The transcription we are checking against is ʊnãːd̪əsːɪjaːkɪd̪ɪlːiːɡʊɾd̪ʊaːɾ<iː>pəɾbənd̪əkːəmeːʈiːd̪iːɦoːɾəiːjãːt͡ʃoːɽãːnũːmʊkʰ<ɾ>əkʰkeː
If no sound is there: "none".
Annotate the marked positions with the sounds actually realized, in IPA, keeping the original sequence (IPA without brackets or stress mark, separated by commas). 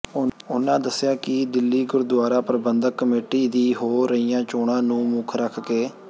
aː, ɾ